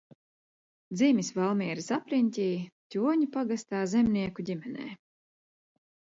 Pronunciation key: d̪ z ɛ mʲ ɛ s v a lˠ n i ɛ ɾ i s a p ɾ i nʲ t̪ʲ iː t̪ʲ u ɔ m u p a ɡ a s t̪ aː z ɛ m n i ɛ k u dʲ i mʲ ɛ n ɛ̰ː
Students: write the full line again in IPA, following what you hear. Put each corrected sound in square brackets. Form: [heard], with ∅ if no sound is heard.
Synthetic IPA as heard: d̪ z [i] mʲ [i] s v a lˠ [m] i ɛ ɾ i s a p ɾ i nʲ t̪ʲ iː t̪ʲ u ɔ [ɲ] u p a ɡ a s t̪ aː z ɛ m n i ɛ k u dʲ i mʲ ɛ n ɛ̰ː